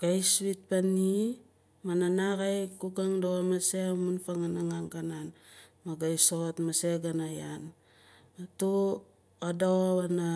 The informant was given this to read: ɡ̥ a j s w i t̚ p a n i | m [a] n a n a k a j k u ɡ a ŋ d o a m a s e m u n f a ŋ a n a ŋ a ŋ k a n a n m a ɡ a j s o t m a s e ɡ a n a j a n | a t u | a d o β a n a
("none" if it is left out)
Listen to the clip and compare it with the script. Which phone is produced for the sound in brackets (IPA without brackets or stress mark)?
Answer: a